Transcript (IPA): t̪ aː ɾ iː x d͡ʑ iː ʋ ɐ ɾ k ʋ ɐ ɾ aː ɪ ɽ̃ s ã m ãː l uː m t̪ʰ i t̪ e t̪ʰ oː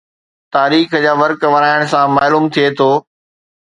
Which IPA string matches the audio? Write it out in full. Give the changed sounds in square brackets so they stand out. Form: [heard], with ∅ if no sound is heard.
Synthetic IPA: t̪ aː ɾ iː x d͡ʑ [aː] ʋ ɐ ɾ k ʋ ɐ ɾ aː ɪ ɽ̃ s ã m [aː] l uː m t̪ʰ i [∅] e t̪ʰ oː